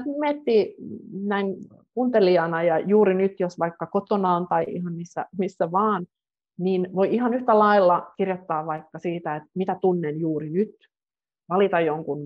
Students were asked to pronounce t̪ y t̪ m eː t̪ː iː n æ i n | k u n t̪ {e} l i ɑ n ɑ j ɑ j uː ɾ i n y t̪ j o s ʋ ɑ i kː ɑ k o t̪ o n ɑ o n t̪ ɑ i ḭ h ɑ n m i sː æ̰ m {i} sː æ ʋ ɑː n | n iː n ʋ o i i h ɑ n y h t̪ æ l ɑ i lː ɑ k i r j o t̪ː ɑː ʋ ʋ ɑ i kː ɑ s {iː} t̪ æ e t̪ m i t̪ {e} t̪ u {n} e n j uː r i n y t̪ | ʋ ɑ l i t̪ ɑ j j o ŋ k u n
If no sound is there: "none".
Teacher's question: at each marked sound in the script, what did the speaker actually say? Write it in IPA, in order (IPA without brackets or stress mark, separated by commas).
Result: e, i, iː, æ, nː